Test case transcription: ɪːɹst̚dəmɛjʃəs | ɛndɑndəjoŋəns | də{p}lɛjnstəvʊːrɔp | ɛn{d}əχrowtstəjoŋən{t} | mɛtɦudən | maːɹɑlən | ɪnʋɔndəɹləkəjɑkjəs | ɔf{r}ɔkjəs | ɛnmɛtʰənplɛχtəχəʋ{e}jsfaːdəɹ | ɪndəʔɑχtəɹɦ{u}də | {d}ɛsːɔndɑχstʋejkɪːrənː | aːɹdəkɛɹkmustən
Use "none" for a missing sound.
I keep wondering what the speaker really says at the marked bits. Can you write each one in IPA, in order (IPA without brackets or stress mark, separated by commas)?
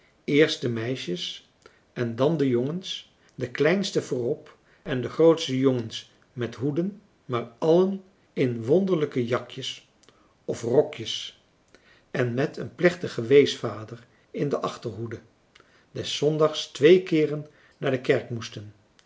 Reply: k, d, s, r, e, u, d